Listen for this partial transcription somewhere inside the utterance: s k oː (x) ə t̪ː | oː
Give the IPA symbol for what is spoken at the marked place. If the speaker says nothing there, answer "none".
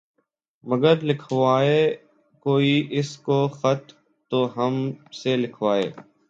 x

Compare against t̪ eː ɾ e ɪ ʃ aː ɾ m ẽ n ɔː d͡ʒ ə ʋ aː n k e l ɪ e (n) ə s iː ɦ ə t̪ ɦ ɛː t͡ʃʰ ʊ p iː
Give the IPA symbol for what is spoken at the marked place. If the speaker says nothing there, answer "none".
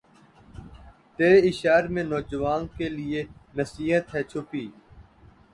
n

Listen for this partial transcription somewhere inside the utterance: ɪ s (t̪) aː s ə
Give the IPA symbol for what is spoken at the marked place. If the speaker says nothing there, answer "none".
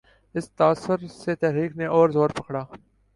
t̪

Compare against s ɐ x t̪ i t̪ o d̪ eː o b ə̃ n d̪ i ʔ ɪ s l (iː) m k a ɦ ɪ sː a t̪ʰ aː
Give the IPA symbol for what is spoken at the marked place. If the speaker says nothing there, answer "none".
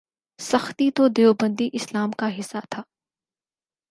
aː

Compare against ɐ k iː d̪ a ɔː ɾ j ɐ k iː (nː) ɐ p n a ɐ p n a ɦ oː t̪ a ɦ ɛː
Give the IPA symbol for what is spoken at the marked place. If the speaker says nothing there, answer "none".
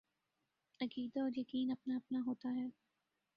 n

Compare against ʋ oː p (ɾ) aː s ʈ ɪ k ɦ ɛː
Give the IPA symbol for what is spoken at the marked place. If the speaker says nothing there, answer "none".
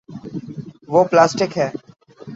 l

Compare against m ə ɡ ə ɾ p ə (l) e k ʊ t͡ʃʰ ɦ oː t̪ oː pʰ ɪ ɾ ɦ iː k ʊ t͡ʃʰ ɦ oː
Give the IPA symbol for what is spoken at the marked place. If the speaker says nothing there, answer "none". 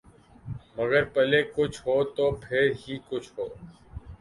l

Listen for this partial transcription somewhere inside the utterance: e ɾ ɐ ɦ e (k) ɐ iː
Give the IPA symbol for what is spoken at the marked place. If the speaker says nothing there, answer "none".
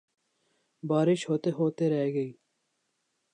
ɡ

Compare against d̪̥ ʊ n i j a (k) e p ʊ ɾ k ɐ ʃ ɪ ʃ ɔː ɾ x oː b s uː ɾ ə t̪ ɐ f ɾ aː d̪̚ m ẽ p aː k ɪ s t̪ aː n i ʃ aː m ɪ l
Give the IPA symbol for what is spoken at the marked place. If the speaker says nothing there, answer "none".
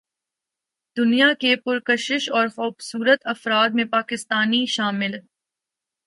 k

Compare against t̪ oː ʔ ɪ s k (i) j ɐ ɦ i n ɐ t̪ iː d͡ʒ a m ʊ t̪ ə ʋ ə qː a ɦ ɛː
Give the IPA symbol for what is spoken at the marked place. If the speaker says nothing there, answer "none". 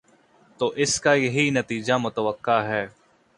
a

